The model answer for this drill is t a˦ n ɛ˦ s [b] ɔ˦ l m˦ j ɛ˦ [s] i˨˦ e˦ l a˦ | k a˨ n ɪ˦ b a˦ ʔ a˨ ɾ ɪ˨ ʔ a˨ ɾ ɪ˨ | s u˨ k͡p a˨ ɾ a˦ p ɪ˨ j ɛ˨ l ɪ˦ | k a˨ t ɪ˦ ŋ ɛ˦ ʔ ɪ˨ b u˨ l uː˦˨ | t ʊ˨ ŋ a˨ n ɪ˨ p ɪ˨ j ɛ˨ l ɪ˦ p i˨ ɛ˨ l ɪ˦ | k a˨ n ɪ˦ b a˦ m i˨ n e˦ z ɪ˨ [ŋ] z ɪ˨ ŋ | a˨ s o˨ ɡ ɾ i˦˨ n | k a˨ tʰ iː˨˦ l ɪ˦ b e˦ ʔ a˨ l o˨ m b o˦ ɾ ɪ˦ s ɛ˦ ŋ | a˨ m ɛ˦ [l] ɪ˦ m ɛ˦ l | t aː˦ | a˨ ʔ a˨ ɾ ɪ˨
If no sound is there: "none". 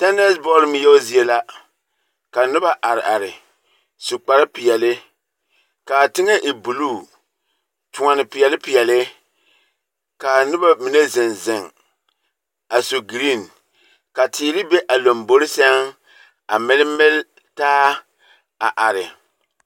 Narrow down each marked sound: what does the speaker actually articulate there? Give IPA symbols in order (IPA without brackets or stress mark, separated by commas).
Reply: b, z, n, l